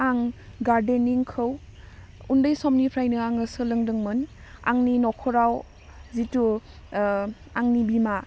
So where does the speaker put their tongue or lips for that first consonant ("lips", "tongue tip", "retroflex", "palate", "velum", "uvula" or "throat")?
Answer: velum